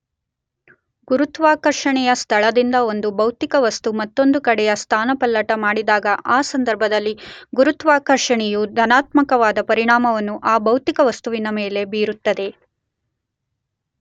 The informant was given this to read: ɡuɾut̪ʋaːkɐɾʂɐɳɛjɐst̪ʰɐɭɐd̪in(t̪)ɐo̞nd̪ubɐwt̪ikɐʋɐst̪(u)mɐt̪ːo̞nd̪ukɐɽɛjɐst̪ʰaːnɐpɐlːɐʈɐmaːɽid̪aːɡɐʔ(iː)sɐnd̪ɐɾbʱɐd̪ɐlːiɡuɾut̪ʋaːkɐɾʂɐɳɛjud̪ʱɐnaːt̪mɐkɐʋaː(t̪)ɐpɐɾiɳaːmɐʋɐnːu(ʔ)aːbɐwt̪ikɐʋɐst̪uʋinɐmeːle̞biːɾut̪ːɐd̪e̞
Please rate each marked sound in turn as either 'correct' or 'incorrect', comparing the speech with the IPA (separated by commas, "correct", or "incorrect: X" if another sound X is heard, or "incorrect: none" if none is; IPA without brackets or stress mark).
incorrect: d̪, correct, incorrect: aː, incorrect: d̪, correct